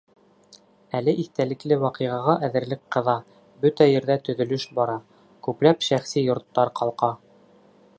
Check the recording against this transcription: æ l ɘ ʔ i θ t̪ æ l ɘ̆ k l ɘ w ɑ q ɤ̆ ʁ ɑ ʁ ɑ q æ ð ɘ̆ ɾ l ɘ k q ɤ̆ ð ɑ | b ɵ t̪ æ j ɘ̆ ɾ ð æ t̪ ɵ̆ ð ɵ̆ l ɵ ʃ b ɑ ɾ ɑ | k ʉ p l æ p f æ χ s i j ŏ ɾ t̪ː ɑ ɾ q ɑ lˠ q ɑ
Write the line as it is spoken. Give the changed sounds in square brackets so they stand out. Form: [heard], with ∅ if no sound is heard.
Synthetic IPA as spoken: æ l ɘ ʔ i θ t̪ æ l ɘ̆ k l ɘ w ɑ q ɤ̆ ʁ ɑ ʁ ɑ [ʔ] æ ð ɘ̆ ɾ l ɘ k q ɤ̆ ð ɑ | b ɵ t̪ æ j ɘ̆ ɾ ð æ t̪ ɵ̆ ð ɵ̆ l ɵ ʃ b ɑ ɾ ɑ | k ʉ p l æ p [ʃ] æ χ s i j ŏ ɾ t̪ː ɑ ɾ q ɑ lˠ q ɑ